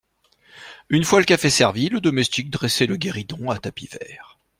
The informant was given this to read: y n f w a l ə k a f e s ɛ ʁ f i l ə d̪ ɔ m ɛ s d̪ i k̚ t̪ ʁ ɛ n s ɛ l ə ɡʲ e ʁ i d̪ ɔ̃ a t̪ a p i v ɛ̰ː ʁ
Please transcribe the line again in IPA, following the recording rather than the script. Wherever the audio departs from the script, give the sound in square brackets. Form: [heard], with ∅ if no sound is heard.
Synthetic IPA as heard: y n f w a l ə k a f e s ɛ ʁ [v] i l ə d̪ ɔ m ɛ s [t̪] i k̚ [d̪] ʁ ɛ [∅] s ɛ l ə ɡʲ e ʁ i d̪ ɔ̃ a t̪ a p i v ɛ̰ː ʁ